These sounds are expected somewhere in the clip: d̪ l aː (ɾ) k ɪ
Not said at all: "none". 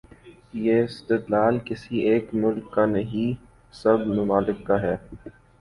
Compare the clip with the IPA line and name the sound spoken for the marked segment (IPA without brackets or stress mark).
l